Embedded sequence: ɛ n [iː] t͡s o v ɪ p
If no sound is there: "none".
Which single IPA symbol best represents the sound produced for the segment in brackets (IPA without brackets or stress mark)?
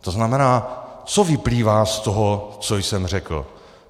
aː